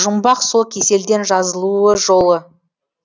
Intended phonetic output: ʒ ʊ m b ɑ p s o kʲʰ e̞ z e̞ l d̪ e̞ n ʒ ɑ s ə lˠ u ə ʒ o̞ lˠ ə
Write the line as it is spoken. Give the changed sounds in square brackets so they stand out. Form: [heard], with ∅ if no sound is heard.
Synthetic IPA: ʒ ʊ m b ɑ [q] s o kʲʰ e̞ [s] e̞ l d̪ e̞ n ʒ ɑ [z] ə lˠ u ə ʒ o̞ lˠ ə